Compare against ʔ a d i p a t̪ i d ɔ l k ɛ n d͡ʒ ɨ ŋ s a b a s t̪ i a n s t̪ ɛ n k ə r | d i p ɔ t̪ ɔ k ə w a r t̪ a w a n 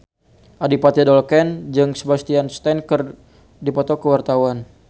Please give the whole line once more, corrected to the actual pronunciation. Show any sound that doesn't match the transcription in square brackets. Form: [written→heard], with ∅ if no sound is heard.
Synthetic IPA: ʔ a d i p a t̪ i d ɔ l k ɛ n d͡ʒ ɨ ŋ s [a→ə] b a s t̪ i a n s t̪ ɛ n k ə r | d i p ɔ t̪ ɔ k ə w a r t̪ a w a n